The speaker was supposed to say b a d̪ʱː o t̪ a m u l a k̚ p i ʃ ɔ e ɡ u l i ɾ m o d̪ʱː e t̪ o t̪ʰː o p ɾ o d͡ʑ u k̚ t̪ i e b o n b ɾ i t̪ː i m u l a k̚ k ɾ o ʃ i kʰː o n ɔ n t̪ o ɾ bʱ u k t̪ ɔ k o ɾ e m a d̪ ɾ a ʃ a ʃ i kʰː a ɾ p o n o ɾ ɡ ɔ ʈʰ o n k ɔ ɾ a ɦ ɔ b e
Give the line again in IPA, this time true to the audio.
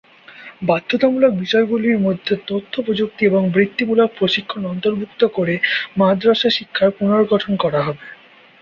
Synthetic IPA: b a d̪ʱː o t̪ a m u l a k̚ b i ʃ ɔ e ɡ u l i ɾ m o d̪ʱː e t̪ o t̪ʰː o p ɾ o d͡ʑ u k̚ t̪ i e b o ŋ b ɾ i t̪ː i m u l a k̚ p ɾ o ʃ i kʰː o n ɔ n t̪ o ɾ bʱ u k t̪ o k o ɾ e m a d̪ ɾ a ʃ a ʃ i kʰː a ɾ p u n o ɾ ɡ ɔ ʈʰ o n k ɔ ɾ a ɦ ɔ b e